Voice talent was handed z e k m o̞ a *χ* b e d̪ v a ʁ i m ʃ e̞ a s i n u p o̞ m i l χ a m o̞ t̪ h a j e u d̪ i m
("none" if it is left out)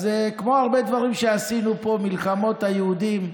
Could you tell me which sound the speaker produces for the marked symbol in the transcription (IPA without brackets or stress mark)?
ʁ